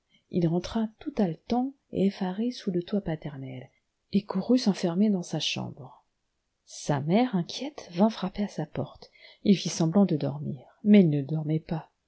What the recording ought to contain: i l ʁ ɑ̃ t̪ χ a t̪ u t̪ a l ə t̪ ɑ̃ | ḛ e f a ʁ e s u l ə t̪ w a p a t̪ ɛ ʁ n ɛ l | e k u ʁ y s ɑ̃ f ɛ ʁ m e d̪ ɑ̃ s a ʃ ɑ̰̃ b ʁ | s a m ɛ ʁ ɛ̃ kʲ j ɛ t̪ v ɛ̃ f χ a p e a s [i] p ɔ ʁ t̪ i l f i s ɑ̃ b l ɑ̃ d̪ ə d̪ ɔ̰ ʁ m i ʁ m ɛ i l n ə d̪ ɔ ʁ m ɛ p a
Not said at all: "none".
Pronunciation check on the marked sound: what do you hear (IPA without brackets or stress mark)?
a